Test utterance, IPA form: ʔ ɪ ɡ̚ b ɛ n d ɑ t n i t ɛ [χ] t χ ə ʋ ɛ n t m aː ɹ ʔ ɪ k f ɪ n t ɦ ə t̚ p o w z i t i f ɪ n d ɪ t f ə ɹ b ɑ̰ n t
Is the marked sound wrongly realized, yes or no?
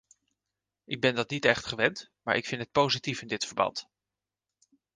no